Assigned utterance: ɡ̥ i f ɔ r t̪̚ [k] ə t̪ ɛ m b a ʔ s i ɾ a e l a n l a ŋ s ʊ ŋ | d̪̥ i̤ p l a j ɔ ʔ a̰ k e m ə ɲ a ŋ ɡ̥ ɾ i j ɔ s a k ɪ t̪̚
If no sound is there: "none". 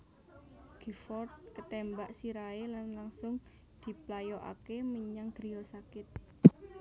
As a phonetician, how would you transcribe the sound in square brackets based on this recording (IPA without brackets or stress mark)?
k